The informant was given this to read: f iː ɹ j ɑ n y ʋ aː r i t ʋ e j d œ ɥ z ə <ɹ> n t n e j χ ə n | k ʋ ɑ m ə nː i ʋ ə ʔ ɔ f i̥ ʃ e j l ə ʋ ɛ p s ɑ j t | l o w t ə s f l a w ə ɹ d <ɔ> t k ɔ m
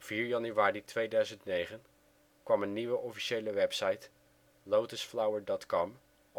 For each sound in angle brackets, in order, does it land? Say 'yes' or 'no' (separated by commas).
no, yes